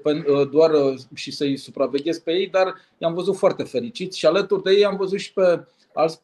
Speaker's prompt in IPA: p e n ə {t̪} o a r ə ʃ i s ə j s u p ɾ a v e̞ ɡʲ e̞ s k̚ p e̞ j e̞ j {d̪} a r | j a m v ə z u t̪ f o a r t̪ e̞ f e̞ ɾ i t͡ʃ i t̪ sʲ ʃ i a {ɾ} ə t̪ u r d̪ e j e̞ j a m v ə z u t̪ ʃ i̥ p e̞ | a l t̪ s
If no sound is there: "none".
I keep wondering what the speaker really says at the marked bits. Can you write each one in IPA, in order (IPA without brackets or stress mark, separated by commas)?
d̪, d̪, l